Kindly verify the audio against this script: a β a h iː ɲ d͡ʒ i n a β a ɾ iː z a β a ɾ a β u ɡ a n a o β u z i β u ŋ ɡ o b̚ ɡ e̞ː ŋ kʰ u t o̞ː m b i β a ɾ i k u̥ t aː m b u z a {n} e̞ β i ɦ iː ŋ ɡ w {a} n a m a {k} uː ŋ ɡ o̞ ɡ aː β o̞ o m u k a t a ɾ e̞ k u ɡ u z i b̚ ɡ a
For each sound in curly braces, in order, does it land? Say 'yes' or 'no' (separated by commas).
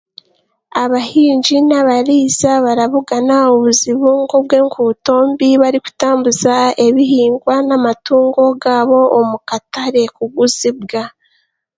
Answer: no, yes, no